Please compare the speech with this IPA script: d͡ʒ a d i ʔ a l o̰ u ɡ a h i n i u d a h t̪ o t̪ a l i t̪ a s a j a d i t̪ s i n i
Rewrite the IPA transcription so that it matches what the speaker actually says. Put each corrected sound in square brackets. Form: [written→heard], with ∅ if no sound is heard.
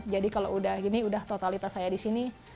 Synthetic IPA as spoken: d͡ʒ a d i [ʔ→k] a l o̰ u [ɡ→d] a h i n i u d a h t̪ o t̪ a l i t̪ a s a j a d i [t̪→∅] s i n i